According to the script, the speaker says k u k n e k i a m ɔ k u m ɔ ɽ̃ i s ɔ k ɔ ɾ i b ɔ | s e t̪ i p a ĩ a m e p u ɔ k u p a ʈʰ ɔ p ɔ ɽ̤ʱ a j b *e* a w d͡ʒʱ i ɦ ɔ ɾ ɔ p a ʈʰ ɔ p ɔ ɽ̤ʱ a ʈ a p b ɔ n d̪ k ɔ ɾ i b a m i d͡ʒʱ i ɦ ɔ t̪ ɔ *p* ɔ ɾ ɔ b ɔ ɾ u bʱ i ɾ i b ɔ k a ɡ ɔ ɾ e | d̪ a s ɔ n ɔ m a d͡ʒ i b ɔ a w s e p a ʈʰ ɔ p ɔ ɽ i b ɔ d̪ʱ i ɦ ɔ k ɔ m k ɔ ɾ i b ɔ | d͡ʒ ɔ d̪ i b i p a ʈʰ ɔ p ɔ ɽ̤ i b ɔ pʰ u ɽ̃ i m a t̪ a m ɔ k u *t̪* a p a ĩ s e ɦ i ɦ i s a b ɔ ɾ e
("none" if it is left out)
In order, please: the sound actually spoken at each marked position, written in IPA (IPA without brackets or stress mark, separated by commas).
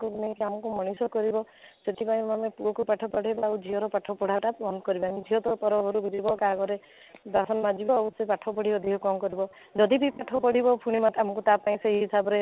a, p, t̪